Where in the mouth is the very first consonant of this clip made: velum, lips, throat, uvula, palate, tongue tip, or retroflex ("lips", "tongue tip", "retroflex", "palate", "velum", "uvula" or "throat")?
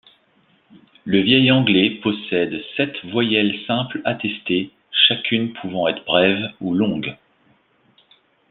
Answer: tongue tip